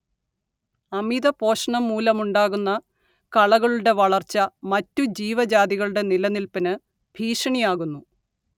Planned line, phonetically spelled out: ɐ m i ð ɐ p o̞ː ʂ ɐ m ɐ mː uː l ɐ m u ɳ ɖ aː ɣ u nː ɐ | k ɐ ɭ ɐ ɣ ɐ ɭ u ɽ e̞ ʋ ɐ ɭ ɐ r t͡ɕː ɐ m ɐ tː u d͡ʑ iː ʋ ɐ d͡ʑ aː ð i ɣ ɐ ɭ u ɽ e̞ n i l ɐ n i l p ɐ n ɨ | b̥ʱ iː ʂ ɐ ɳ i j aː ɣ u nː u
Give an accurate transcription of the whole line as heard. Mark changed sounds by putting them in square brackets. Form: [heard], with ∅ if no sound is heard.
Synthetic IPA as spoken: ɐ m i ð ɐ p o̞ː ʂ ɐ [ɳ] ɐ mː uː l ɐ m u ɳ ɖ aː ɣ u nː ɐ | k ɐ ɭ ɐ ɣ ɐ ɭ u ɽ e̞ ʋ ɐ ɭ ɐ r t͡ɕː ɐ m ɐ tː u d͡ʑ iː ʋ ɐ d͡ʑ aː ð i ɣ ɐ ɭ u ɽ e̞ n i l ɐ n i l p ɐ n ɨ | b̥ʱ iː ʂ ɐ ɳ i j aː ɣ u nː u

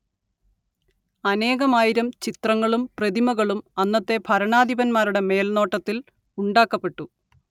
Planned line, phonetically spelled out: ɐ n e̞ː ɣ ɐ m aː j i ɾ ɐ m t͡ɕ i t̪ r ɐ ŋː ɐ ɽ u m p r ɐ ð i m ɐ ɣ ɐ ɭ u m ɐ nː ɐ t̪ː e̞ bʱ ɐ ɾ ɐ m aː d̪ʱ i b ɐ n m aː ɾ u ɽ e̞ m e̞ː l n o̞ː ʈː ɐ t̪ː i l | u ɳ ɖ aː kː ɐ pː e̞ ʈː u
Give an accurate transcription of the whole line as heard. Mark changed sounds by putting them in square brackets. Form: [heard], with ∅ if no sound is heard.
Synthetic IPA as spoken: ɐ n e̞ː ɣ ɐ m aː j i ɾ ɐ m t͡ɕ i t̪ r ɐ ŋː ɐ [ɭ] u m p r ɐ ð i m ɐ ɣ ɐ ɭ u m ɐ nː ɐ t̪ː e̞ bʱ ɐ ɾ ɐ [ɳ] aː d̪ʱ i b ɐ n m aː ɾ u ɽ e̞ m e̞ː l n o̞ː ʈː ɐ t̪ː i l | u ɳ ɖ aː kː ɐ pː e̞ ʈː u

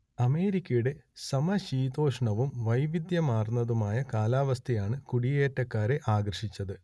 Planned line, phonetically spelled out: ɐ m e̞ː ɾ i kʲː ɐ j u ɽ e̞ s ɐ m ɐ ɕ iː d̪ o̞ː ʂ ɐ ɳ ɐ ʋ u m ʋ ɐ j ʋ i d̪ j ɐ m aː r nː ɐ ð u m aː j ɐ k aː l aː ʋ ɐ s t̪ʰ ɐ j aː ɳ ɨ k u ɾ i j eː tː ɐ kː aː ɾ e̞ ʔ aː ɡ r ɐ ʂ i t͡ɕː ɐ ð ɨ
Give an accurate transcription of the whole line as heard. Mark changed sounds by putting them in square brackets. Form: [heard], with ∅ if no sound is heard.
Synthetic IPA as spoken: ɐ m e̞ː ɾ i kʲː ɐ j u ɽ e̞ s ɐ m ɐ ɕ iː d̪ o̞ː ʂ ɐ ɳ ɐ ʋ u m ʋ ɐ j ʋ i d̪ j ɐ m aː r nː ɐ ð u m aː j ɐ k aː l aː ʋ ɐ s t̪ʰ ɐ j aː ɳ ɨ k u [ɽ] i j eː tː ɐ kː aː ɾ e̞ ʔ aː ɡ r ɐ ʂ i t͡ɕː ɐ ð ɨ

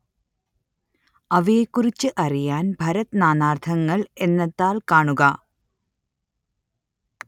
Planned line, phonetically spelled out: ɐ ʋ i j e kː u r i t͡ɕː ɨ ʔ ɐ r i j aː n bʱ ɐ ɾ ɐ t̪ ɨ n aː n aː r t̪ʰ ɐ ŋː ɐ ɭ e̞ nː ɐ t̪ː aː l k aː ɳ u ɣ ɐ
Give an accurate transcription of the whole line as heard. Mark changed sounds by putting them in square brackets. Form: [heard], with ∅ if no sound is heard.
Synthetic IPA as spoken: ɐ ʋ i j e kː u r i t͡ɕː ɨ ʔ ɐ r i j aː n bʱ ɐ ɾ ɐ t̪ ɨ n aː n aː r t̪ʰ ɐ ŋː ɐ ɭ e̞ nː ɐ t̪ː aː l k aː ɳ u ɣ ɐ

